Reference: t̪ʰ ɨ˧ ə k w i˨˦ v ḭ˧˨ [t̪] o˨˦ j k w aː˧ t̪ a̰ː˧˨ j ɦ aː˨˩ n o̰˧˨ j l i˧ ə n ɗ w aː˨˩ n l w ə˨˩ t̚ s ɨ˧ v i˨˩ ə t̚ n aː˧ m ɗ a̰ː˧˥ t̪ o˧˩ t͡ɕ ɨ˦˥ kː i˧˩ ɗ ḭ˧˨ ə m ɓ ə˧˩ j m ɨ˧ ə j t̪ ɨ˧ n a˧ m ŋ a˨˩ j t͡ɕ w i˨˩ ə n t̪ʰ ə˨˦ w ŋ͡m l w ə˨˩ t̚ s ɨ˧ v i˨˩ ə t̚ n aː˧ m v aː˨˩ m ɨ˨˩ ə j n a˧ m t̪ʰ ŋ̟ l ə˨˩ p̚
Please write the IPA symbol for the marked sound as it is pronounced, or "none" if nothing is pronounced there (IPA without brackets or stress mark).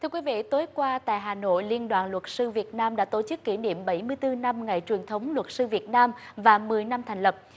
t̪